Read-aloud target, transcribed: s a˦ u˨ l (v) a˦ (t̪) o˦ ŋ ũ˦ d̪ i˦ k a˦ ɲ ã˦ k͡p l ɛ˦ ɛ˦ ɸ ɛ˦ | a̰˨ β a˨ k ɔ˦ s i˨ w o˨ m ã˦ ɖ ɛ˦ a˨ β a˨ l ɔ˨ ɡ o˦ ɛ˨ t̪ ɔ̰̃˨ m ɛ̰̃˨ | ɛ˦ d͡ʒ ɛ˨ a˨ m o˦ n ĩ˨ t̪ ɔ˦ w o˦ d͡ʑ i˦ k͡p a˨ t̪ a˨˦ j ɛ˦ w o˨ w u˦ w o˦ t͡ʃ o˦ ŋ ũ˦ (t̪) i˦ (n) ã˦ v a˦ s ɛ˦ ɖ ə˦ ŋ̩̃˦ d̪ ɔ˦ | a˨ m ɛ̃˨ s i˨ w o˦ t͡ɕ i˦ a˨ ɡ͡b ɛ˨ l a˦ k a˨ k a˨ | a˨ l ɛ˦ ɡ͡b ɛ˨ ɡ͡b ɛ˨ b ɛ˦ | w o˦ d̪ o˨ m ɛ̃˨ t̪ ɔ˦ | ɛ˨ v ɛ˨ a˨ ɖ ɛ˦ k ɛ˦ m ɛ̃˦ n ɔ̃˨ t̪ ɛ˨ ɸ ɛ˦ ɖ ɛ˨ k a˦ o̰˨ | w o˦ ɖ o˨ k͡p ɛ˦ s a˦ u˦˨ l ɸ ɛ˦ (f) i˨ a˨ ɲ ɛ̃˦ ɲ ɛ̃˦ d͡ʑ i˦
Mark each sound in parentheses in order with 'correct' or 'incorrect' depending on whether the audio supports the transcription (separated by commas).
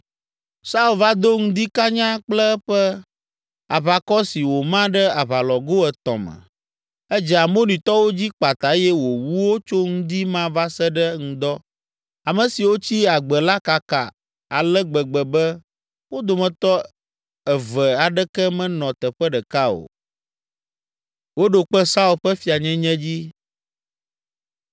correct, incorrect, incorrect, incorrect, correct